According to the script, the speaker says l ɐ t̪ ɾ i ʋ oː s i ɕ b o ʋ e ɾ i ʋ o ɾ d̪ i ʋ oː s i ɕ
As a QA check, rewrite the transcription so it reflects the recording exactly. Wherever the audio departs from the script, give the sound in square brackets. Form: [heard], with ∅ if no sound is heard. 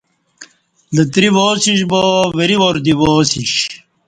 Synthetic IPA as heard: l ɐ t̪ ɾ i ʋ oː s i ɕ b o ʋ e ɾ i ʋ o ɾ d̪ i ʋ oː s i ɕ